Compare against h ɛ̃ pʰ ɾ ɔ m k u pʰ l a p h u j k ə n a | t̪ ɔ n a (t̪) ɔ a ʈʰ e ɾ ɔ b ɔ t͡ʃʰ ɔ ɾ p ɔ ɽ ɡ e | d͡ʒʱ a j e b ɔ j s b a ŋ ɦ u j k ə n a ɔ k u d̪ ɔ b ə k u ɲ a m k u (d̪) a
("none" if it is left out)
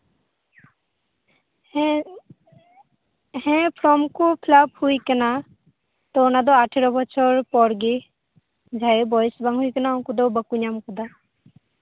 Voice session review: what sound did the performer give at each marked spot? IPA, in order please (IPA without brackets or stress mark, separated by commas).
d̪, d̪